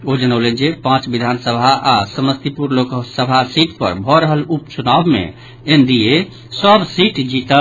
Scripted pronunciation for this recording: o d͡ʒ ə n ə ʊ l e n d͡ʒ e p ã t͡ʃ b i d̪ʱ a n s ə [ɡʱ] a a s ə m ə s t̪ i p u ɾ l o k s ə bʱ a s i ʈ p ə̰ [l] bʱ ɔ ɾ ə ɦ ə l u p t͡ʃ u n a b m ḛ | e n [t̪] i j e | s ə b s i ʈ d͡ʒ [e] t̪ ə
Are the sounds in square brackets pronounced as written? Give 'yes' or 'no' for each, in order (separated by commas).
no, no, no, no